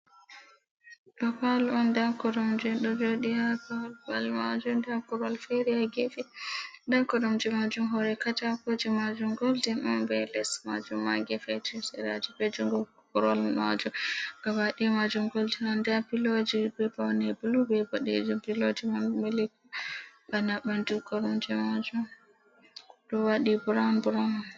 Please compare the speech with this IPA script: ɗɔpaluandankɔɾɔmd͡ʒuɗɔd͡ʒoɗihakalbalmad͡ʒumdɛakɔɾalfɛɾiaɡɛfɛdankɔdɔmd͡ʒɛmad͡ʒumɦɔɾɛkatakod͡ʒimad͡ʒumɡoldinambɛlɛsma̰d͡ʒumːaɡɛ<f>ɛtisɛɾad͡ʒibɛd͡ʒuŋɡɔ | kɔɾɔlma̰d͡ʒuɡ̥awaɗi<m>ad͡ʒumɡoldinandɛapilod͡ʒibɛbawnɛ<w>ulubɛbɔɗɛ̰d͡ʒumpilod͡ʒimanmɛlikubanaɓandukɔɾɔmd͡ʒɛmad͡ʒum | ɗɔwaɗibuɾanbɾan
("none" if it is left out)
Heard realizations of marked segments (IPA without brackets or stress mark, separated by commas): f, m, b